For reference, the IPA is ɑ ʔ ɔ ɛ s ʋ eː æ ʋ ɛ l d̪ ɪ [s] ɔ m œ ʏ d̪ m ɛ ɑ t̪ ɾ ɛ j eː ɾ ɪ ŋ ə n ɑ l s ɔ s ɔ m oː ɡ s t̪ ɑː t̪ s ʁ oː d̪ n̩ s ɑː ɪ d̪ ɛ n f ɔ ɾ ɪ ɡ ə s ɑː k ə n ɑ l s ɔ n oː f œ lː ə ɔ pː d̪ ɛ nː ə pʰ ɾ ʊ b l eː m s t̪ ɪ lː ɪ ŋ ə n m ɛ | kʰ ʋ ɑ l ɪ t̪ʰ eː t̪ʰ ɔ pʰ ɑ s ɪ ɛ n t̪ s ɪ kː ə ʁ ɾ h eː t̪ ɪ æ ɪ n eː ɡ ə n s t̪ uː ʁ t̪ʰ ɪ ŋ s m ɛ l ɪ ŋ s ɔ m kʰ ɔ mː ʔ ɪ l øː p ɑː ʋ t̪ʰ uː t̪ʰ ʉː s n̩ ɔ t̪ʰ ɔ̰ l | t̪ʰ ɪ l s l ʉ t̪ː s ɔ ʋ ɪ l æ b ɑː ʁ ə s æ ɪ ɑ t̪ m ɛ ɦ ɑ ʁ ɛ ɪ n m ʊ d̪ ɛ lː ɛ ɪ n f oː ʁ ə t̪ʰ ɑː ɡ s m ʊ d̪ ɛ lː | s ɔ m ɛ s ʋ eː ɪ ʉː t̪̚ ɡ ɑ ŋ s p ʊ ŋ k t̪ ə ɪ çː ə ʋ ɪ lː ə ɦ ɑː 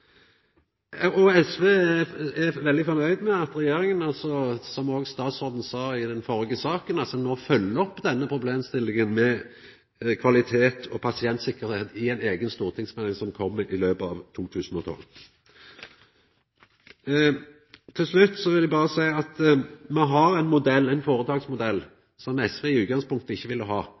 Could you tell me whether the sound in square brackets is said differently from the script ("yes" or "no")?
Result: yes